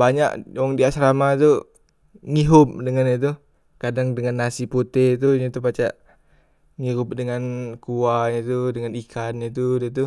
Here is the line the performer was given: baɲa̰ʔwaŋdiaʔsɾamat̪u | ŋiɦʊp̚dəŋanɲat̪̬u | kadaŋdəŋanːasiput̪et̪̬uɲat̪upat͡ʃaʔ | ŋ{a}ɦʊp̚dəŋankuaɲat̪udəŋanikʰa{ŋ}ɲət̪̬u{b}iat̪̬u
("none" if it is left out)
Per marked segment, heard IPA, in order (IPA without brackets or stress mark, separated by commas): i, n, d